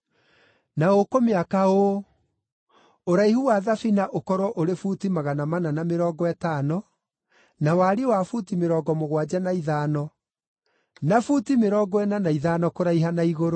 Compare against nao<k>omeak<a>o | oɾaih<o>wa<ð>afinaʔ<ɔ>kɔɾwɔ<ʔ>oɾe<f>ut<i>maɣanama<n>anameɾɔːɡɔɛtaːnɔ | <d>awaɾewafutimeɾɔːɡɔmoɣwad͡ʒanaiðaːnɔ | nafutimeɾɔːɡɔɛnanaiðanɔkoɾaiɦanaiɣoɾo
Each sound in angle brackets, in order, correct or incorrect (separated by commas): correct, correct, incorrect, correct, incorrect, correct, correct, correct, correct, incorrect